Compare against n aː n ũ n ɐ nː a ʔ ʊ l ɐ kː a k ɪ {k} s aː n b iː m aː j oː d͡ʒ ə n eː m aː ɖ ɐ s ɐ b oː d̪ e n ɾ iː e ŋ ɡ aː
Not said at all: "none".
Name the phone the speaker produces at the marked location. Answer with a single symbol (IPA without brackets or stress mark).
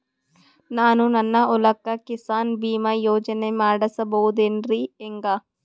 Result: none